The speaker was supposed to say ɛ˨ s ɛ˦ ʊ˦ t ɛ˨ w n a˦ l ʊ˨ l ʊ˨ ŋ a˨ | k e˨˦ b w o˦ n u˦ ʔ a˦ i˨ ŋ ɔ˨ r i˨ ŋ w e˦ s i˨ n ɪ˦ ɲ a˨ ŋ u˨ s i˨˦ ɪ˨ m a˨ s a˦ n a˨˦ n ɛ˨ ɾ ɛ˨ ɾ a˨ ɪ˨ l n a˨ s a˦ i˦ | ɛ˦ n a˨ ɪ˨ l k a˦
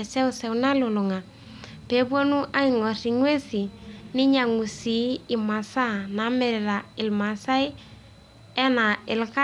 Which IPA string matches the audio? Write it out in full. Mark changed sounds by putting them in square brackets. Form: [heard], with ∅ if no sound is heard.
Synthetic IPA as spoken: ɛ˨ s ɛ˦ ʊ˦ [s] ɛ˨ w n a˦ l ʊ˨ l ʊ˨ ŋ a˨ | [p] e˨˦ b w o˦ n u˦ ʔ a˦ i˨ ŋ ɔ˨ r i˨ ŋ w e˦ s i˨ n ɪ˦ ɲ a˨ ŋ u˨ s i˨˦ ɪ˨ m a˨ s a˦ n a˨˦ [m] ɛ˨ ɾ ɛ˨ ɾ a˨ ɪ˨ l [m] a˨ s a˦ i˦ | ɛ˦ n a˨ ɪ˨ l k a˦